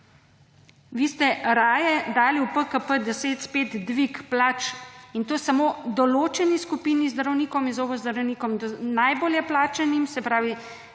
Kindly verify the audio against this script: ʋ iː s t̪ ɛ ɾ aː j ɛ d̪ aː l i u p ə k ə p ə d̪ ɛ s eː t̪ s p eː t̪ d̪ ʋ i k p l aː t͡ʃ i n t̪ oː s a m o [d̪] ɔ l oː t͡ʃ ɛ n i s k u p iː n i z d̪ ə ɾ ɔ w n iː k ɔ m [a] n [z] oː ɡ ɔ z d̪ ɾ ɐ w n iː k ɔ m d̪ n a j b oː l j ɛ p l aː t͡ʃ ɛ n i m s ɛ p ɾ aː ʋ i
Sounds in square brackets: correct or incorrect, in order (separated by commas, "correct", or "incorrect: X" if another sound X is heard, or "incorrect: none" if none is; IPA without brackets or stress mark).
correct, incorrect: i, correct